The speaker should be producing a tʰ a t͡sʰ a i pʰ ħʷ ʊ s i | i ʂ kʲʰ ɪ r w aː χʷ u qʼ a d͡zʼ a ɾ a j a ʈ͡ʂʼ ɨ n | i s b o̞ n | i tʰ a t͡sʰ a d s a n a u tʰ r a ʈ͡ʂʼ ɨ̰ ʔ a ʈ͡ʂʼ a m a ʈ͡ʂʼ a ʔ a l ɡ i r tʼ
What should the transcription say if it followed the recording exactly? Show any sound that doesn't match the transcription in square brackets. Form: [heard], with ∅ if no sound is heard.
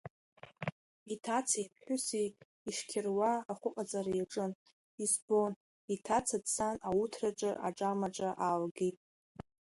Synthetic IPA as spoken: [i] tʰ a t͡sʰ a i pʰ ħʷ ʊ s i | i ʂ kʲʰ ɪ r w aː χʷ [ʊ] qʼ a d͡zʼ a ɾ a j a ʈ͡ʂʼ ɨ n | i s b o̞ n | i tʰ a t͡sʰ a d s a n a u tʰ r a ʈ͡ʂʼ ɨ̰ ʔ a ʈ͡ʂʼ a m a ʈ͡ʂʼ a ʔ a l ɡ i [∅] tʼ